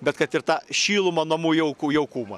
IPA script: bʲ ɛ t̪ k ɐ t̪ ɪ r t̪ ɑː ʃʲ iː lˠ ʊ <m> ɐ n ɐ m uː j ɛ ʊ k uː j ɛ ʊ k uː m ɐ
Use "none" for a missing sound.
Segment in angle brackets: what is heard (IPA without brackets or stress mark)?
m